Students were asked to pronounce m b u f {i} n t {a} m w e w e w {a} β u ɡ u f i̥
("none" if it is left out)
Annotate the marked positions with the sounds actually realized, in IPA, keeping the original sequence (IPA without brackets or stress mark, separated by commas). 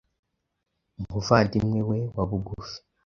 a, i, a